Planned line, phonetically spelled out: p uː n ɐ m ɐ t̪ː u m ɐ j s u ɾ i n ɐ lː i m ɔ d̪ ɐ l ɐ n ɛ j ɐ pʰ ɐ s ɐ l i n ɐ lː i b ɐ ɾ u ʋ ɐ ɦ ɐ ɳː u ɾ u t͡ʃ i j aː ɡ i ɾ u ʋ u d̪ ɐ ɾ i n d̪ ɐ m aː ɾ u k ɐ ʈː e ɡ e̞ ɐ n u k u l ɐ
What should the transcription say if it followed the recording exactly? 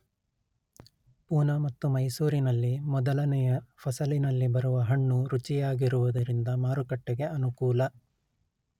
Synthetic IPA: p uː n ɐ m ɐ t̪ː u m ɐ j s uː ɾ i n ɐ lː i m ɔ d̪ ɐ l ɐ n ɛ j ɐ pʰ ɐ s ɐ l i n ɐ lː i b ɐ ɾ u ʋ ɐ ɦ ɐ ɳː u ɾ u t͡ʃ i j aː ɡ i ɾ u ʋ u d̪ ɐ ɾ i n d̪ ɐ m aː ɾ u k ɐ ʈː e ɡ e̞ ɐ n u k uː l ɐ